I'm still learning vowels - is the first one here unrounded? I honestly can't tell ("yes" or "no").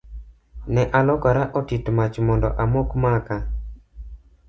yes